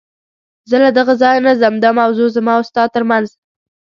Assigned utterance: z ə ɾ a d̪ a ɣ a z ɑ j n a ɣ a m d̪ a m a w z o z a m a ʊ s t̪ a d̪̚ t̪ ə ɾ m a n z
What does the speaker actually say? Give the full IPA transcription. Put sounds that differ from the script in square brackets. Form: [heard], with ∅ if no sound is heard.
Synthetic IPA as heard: z ə [l] a d̪ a ɣ a z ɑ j n a [z] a m d̪ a m a w z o z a m [ɑ] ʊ s t̪ [ɑ] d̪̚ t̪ ə ɾ m a n z